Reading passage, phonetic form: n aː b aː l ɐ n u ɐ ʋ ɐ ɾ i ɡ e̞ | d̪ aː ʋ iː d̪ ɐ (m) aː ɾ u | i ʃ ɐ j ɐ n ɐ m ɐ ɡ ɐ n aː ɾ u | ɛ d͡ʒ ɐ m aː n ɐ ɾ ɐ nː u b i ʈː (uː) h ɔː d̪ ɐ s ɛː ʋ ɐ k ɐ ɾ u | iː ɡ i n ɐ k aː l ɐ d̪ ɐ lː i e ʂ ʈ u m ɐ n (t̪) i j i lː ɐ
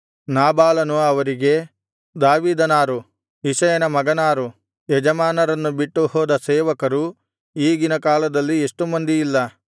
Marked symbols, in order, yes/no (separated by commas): no, no, no